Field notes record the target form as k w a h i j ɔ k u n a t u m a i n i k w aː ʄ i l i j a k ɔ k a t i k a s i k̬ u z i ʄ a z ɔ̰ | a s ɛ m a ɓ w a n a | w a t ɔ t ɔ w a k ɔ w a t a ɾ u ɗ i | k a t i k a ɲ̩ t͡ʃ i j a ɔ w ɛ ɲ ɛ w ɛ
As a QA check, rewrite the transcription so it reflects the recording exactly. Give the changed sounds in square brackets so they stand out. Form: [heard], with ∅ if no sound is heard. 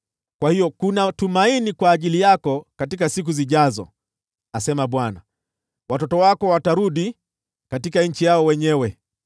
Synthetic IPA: k w a h i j ɔ k u n a t u m a i n i k w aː ʄ i l i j a k ɔ k a t i k a s i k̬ u z i ʄ a z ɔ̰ | a s ɛ m a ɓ w a n a | w a t ɔ t ɔ w a k ɔ w a t a ɾ u ɗ i | k a t i k a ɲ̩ t͡ʃ i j a ɔ w ɛ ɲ ɛ w ɛ